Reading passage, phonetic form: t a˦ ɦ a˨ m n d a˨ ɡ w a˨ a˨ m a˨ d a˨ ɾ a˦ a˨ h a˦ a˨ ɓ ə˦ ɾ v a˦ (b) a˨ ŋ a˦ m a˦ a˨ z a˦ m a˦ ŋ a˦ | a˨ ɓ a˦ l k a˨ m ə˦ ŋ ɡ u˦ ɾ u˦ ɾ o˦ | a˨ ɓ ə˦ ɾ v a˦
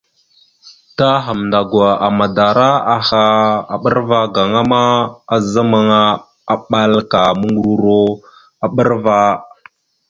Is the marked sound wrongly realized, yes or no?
yes